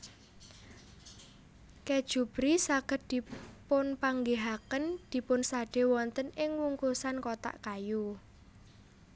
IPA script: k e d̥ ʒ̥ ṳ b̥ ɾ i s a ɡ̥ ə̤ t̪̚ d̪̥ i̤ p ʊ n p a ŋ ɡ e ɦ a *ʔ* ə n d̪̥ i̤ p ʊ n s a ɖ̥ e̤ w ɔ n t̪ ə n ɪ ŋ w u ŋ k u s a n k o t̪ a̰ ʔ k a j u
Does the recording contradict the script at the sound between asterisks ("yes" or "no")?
yes